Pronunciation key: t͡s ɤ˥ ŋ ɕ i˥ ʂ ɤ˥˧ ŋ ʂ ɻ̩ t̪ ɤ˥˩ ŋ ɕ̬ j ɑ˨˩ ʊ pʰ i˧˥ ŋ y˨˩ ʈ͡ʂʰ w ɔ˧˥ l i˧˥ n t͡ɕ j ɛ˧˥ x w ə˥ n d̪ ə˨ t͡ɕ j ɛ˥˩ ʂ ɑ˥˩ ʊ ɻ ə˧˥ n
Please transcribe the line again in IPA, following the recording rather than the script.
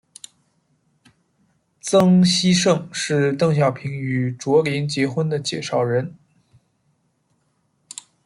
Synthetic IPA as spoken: t͡s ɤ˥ ŋ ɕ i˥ ʂ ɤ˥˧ ŋ ʂ ɻ̩ t̪ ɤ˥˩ ŋ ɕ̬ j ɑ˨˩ ʊ pʰ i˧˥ ŋ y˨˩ ʈ͡ʂ w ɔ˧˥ l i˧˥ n t͡ɕ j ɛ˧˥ x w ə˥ n d̪ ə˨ t͡ɕ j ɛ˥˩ ʂ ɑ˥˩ ʊ ɻ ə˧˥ n

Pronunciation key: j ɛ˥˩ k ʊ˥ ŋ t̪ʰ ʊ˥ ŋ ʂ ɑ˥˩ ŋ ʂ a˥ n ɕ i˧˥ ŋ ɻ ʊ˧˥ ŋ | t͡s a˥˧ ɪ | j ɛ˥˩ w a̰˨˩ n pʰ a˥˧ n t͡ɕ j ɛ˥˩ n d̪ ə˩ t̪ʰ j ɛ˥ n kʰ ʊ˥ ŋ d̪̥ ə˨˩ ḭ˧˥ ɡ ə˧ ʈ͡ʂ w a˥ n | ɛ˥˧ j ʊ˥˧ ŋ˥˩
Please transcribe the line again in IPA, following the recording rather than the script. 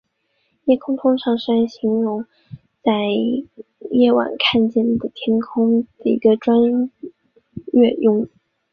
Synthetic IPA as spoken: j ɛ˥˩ kʰ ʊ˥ ŋ t̪ʰ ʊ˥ ŋ ʂ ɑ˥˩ ŋ ʂ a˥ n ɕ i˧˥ ŋ ɻ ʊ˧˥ ŋ | t͡s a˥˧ ɪ | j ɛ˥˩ w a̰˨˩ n kʰ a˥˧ n t͡ɕ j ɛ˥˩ n d̪ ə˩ t̪ʰ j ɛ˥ n kʰ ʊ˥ ŋ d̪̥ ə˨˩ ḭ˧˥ ɡ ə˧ ʈ͡ʂ w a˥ n | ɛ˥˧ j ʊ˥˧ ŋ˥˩

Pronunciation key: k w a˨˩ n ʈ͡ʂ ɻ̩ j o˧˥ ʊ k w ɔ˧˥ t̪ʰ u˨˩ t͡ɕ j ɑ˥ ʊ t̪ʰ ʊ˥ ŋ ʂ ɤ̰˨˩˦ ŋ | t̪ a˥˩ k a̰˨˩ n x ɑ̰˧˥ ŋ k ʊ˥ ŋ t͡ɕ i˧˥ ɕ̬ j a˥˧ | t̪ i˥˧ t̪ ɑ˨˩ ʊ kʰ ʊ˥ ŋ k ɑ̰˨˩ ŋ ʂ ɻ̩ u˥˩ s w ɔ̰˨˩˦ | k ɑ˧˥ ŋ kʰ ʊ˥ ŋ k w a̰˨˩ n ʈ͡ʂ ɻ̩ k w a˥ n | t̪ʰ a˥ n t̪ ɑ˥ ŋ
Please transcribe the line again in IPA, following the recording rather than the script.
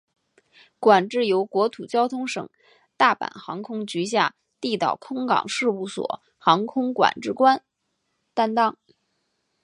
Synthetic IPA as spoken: k w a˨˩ n ʈ͡ʂ ɻ̩ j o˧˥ ʊ k w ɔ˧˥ t̪ʰ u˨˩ t͡ɕ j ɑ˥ ʊ t̪ʰ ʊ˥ ŋ ʂ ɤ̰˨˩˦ ŋ | t̪ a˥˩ p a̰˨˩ n x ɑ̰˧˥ ŋ kʰ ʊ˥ ŋ t͡ɕ y˧˥ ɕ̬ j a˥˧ | t̪ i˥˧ t̪ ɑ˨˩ ʊ kʰ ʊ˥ ŋ k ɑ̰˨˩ ŋ ʂ ɻ̩ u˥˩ s w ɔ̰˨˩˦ | x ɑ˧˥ ŋ kʰ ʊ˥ ŋ k w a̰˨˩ n ʈ͡ʂ ɻ̩ k w a˥ n | t̪ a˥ n t̪ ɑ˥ ŋ

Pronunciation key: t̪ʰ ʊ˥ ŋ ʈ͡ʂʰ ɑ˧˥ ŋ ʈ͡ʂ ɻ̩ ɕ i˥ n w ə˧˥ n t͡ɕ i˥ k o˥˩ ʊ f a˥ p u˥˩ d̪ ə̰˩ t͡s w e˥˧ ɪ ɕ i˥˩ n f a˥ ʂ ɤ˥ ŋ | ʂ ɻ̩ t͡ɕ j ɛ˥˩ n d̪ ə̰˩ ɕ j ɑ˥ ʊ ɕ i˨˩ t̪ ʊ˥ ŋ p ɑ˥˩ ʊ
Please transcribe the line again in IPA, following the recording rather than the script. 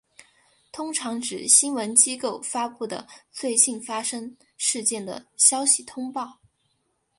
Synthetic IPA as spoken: t̪ʰ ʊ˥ ŋ ʈ͡ʂʰ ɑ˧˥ ŋ ʈ͡ʂ ɻ̩ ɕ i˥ n w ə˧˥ n t͡ɕ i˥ k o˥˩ ʊ f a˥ p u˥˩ d̪ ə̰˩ t͡s w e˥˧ ɪ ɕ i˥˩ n f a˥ ʂ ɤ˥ ŋ | ʂ ɻ̩ t͡ɕ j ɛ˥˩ n d̪ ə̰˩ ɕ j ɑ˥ ʊ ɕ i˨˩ t̪ʰ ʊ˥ ŋ p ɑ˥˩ ʊ

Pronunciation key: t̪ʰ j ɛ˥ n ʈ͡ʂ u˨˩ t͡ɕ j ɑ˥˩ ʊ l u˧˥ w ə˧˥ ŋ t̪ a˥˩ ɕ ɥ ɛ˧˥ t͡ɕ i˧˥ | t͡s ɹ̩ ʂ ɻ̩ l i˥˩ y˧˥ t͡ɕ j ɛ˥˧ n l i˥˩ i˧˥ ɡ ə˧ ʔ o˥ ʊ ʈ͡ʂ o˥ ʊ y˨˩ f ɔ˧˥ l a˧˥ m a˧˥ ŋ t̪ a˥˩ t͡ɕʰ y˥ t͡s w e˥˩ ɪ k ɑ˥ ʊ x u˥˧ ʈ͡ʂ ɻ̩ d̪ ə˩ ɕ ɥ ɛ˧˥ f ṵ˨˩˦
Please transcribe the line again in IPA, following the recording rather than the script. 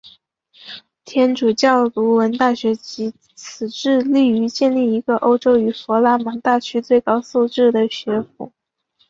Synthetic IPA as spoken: t̪ʰ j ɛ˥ n ʈ͡ʂ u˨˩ t͡ɕ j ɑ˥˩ ʊ l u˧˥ w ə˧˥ n t̪ a˥˩ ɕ ɥ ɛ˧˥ t͡ɕ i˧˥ | t͡sʰ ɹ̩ ʈ͡ʂ ɻ̩ l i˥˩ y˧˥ t͡ɕ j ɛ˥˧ n l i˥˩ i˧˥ ɡ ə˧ ʔ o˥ ʊ ʈ͡ʂ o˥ ʊ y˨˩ f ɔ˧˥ l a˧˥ m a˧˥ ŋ t̪ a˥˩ t͡ɕʰ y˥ t͡s w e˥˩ ɪ k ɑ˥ ʊ s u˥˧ ʈ͡ʂ ɻ̩ d̪ ə˩ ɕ ɥ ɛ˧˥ f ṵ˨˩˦

